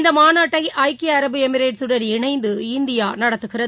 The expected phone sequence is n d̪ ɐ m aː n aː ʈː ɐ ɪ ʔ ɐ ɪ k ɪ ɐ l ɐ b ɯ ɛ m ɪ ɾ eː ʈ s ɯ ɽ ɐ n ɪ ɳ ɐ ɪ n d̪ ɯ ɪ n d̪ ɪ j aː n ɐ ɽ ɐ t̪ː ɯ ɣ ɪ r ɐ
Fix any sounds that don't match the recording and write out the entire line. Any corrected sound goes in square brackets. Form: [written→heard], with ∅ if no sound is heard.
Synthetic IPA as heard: n d̪ ɐ m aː n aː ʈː ɐ ɪ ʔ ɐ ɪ k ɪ ɐ [l→ɾ] ɐ b ɯ ɛ m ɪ ɾ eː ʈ s ɯ ɽ ɐ n ɪ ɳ ɐ ɪ n d̪ ɯ ɪ n d̪ ɪ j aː n ɐ ɽ ɐ t̪ː ɯ ɣ ɪ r ɐ